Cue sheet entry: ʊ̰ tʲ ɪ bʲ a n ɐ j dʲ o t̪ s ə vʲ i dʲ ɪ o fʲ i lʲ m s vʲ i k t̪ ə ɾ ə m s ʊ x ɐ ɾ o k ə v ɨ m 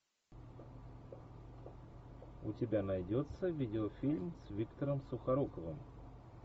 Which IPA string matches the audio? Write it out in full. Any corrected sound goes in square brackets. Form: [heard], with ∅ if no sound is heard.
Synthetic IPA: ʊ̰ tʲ ɪ bʲ a n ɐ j dʲ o t̪ s ə vʲ i dʲ ɪ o fʲ i lʲ m s vʲ i k t̪ ə ɾ ə m s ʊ x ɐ ɾ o k ə v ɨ m